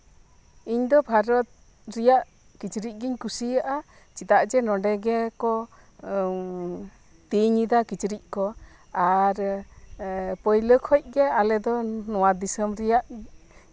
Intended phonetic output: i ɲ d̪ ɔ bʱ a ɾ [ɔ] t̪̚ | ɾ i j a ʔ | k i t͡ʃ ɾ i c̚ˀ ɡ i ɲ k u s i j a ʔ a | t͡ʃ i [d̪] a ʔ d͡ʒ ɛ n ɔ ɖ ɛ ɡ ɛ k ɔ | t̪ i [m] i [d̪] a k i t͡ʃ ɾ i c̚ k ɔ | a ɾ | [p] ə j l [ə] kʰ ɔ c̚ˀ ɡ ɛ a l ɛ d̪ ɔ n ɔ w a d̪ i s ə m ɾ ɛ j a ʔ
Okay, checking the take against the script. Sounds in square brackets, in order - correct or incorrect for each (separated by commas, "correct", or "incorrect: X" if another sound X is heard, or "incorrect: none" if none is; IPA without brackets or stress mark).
correct, incorrect: t̪, incorrect: ɲ, correct, correct, correct